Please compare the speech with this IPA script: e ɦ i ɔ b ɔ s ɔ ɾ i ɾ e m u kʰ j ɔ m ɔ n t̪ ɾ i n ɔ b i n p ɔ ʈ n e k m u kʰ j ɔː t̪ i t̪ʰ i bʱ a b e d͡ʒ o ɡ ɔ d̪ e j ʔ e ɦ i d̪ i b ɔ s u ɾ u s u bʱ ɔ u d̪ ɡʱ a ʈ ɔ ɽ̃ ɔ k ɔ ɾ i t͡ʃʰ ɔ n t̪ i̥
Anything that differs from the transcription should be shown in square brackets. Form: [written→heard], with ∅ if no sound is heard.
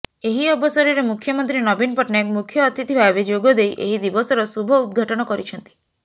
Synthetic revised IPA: e ɦ i ɔ b ɔ s ɔ ɾ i ɾ e m u kʰ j ɔ m ɔ n t̪ ɾ i n ɔ b i n p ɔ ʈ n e k m u kʰ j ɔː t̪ i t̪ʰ i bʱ a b e d͡ʒ o ɡ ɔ d̪ e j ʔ e ɦ i d̪ i b ɔ s [u→ɔ] ɾ [u→ɔ] s u bʱ ɔ u d̪ ɡʱ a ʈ ɔ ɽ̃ ɔ k ɔ ɾ i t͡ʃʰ ɔ n t̪ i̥